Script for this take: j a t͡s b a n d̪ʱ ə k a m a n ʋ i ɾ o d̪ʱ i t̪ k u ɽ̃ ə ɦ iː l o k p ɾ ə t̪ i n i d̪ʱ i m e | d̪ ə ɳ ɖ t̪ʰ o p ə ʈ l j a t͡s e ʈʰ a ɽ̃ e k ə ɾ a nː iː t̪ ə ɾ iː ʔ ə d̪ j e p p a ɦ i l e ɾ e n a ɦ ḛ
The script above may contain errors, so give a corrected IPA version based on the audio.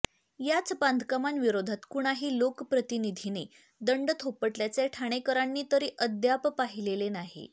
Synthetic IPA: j a t͡s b a n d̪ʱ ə k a m a n ʋ i ɾ o d̪ʱ a t̪ k u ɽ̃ a ɦ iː l o k p ɾ ə t̪ i n i d̪ʱ i n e | d̪ ə ɳ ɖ t̪ʰ o p ə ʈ l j a t͡s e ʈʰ a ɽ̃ e k ə ɾ a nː iː t̪ ə ɾ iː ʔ ə d̪ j a p p a ɦ i l e l e n a ɦ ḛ